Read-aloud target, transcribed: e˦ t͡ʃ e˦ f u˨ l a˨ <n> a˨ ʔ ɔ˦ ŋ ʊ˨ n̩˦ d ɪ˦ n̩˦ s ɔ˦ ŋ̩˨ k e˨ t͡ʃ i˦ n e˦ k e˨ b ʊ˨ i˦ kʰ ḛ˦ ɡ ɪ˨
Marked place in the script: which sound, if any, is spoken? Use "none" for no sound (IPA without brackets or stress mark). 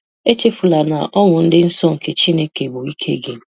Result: n